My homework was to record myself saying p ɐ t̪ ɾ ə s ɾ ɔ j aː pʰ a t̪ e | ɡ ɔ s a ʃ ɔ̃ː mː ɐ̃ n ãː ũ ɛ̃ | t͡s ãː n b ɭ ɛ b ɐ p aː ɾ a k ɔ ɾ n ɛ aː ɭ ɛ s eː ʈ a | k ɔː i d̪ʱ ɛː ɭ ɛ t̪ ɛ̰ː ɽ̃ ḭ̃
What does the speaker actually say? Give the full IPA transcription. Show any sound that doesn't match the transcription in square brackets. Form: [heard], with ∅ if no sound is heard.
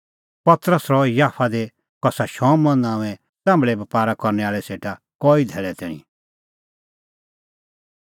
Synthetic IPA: p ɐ t̪ ɾ ə s ɾ ɔ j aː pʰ a [d̪] e | [k] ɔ s a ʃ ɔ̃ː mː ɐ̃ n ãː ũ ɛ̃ | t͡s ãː [m] b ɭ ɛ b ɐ p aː ɾ a k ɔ ɾ n ɛ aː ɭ ɛ s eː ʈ a | k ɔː i d̪ʱ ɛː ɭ ɛ t̪ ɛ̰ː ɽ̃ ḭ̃